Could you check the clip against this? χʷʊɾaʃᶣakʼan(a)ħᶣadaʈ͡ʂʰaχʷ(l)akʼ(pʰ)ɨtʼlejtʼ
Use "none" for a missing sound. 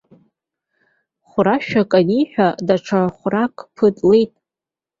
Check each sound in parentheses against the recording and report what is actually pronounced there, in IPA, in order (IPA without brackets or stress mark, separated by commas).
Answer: i, r, pʰ